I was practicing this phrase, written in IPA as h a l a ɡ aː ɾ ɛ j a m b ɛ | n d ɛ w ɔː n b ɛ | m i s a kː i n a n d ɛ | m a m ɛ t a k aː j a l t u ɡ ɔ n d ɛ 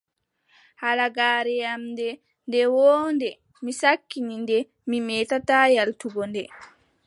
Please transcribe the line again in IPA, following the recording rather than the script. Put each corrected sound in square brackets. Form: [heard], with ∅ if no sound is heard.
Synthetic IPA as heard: h a l a ɡ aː ɾ ɛ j a m [d] ɛ | n d ɛ w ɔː n [d] ɛ | m i s a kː i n [i] n d ɛ | m [i] m ɛ t a [t] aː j a l t u ɡ ɔ n d ɛ